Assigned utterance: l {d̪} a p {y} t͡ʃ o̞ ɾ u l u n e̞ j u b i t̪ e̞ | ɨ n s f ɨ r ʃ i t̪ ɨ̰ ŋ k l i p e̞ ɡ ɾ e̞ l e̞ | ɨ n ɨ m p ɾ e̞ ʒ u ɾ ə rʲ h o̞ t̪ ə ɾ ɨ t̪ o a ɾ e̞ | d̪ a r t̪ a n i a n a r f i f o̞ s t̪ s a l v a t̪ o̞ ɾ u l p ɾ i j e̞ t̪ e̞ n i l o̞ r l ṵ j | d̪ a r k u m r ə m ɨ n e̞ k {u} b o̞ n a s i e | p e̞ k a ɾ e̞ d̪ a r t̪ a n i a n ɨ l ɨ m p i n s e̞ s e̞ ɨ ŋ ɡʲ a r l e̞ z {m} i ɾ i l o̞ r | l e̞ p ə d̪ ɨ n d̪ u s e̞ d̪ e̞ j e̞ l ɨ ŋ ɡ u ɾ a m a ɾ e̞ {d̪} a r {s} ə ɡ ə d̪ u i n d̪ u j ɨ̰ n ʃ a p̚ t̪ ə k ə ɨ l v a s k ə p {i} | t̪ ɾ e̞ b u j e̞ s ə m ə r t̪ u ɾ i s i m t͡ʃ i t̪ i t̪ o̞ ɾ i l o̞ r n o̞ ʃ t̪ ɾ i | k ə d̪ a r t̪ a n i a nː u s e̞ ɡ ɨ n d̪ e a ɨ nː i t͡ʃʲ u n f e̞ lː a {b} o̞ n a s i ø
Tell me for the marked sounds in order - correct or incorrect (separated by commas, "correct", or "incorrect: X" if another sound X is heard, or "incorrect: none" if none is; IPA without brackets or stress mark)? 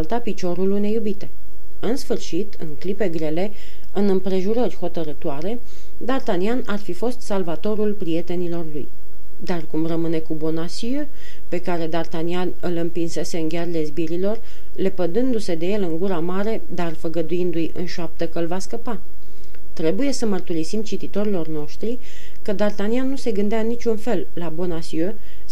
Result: incorrect: t̪, incorrect: i, correct, incorrect: b, correct, incorrect: f, incorrect: a, correct